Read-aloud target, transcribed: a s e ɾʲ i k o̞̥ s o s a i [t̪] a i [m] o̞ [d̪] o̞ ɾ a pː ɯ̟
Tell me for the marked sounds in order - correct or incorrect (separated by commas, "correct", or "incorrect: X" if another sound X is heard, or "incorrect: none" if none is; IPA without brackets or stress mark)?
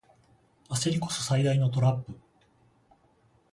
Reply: incorrect: d̪, incorrect: n, incorrect: t̪